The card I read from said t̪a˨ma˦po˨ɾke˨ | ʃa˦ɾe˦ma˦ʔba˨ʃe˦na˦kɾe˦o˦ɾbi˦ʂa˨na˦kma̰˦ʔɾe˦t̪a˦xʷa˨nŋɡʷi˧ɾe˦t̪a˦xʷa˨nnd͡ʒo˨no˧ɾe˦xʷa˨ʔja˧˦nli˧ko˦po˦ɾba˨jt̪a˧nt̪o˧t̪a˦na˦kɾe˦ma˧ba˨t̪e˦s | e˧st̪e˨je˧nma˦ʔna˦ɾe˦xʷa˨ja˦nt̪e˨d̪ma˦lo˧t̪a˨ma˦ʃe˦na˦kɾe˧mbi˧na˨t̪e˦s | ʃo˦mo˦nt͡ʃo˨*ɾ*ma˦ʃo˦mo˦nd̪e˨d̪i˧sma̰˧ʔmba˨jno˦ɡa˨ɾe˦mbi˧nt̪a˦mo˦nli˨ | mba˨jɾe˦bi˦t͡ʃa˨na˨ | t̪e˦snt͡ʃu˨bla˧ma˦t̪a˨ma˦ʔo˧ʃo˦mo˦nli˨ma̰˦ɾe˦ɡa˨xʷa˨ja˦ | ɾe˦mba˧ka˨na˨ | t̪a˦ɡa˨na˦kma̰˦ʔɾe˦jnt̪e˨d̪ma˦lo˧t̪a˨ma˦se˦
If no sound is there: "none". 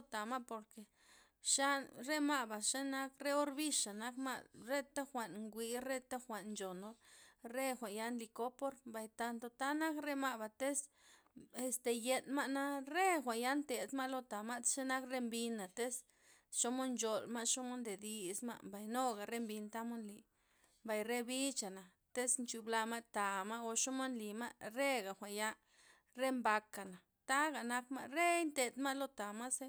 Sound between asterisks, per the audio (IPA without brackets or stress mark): l